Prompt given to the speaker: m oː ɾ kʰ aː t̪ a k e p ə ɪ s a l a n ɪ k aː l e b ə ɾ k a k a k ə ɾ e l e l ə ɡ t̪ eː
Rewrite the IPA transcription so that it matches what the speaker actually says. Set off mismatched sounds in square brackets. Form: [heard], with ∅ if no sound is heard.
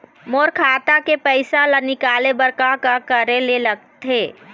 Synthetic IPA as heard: m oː ɾ kʰ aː t̪ a k e p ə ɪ s a l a n ɪ k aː l e b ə ɾ k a k a k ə ɾ e l e l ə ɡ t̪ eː